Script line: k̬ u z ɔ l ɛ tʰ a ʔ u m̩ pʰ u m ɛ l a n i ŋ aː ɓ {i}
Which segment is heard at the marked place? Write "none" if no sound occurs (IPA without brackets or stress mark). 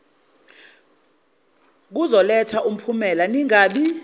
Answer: i